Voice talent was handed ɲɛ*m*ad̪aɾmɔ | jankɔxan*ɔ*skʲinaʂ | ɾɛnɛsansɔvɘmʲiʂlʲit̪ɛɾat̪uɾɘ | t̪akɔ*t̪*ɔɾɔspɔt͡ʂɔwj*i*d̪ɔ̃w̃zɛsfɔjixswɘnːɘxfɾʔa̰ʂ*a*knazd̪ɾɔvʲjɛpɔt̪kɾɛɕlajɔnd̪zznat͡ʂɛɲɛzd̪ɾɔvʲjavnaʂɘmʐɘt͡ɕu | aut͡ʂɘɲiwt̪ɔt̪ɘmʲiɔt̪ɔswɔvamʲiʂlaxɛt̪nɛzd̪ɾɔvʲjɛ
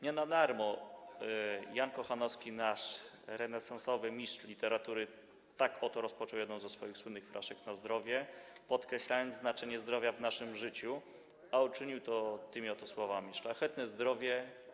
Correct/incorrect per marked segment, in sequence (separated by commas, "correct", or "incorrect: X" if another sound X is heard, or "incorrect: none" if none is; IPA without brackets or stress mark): incorrect: n, correct, correct, incorrect: ɛ, incorrect: ɛ